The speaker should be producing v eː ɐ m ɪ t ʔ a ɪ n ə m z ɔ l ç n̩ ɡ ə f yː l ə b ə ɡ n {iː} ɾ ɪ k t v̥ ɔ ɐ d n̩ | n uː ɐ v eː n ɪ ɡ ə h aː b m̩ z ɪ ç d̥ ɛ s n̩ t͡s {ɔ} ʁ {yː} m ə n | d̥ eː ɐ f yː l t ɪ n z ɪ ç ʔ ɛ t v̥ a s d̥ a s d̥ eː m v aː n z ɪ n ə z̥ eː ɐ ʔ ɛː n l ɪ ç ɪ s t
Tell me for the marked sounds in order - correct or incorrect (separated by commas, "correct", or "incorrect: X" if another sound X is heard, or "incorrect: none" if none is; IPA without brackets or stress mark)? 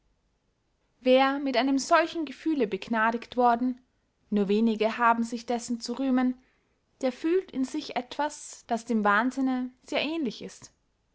incorrect: aː, incorrect: u, correct